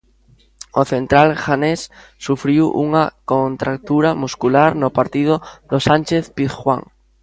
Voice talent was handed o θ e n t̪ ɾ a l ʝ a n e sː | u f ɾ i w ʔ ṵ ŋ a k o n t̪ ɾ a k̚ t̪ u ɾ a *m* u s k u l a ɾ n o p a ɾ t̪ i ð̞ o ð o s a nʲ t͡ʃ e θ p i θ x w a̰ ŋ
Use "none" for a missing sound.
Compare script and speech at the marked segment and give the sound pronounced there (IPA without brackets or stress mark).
m